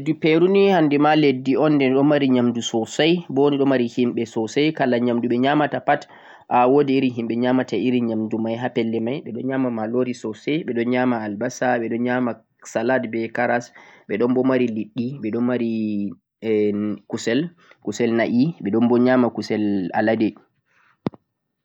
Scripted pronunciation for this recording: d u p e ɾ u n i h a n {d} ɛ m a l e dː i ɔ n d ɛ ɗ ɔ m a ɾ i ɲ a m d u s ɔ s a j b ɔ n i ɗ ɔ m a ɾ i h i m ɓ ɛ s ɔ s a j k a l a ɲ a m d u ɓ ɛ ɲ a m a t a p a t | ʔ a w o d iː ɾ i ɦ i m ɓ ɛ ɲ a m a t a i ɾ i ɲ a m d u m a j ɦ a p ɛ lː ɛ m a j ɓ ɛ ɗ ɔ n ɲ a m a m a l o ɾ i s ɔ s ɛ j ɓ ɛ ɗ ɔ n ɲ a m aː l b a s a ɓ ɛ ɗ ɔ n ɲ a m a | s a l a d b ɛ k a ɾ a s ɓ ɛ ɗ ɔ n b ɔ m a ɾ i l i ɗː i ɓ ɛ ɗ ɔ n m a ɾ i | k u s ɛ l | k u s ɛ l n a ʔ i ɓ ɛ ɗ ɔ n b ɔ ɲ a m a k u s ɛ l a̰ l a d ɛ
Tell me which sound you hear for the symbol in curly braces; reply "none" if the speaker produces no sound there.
d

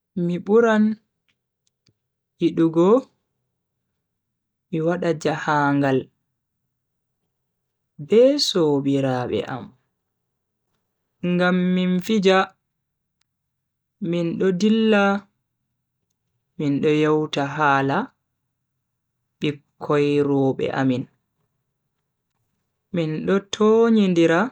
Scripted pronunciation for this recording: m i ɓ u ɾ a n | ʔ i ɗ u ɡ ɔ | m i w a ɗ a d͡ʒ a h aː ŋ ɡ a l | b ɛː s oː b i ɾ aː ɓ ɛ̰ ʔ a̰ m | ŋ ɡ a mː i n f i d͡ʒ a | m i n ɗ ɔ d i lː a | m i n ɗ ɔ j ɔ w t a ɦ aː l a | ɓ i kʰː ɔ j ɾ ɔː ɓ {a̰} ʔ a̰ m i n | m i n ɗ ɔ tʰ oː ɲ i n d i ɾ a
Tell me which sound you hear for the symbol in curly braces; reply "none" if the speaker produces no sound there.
ɛ̰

